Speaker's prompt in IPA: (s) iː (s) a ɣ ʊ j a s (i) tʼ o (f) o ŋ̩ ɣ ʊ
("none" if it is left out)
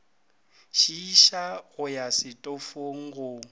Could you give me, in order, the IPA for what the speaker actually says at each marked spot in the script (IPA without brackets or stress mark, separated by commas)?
ʃ, ʃ, ɪ, f